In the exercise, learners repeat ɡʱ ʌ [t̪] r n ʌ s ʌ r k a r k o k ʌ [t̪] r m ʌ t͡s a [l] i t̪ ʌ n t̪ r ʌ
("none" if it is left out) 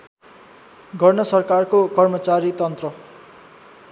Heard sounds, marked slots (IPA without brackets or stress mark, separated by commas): none, none, ɾ